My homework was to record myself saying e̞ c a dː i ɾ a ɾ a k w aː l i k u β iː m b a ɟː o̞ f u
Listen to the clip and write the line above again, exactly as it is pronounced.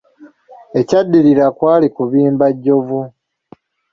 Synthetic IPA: e̞ c a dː i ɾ i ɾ a k w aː l i k u β iː m b a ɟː o̞ v u